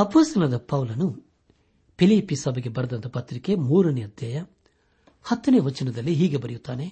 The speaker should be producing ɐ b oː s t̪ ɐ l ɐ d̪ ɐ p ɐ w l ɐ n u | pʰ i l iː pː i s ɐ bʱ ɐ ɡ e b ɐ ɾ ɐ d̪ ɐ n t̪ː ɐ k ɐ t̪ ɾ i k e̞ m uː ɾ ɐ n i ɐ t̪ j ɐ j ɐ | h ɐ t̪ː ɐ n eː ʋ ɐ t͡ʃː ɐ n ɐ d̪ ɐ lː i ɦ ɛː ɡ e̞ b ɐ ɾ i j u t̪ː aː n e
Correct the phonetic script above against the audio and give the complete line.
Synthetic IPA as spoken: ɐ p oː s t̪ ɐ l ɐ d̪ ɐ p ɐ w l ɐ n u | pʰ i l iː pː i s ɐ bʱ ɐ ɡ e b ɐ ɾ ɐ d̪ ɐ n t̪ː ɐ p ɐ t̪ ɾ i k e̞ m uː ɾ ɐ n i ɐ d̪ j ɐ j ɐ | h ɐ t̪ː ɐ n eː ʋ ɐ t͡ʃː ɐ n ɐ d̪ ɐ lː i ɦ iː ɡ e̞ b ɐ ɾ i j u t̪ː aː n e